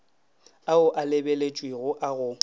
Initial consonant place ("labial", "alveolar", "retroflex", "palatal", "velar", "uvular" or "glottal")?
glottal